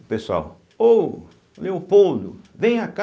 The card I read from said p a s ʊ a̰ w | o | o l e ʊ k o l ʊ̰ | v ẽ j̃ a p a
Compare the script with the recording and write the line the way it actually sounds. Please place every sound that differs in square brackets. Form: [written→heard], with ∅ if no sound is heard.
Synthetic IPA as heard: p [a→e] s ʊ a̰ w | o | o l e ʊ [k→p] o l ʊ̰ | v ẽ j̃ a [p→k] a